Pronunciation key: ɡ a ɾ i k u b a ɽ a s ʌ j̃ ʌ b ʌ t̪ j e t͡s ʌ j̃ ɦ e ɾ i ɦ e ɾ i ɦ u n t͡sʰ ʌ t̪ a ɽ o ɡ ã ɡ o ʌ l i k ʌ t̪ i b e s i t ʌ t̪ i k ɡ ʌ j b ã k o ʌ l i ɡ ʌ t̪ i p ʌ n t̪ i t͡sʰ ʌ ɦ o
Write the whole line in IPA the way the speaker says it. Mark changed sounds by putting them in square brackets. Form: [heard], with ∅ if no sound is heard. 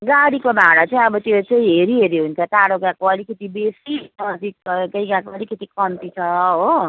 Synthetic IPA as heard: ɡ a [ɽ] i k [o] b a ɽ a [t͡s] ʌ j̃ ʌ b ʌ t̪ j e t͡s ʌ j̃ ɦ e ɾ i ɦ e ɾ i ɦ u n t͡sʰ ʌ t̪ a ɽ o ɡ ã [k] o ʌ l i k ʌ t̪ i b e s i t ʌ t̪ i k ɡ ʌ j [ɡ] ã k o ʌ l i [k] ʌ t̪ i [k] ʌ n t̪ i t͡sʰ ʌ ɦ o